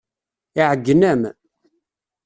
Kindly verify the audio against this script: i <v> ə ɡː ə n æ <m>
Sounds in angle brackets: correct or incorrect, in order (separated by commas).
incorrect, correct